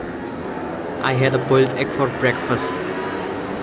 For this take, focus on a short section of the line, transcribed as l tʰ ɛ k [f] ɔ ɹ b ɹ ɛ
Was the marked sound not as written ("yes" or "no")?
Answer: no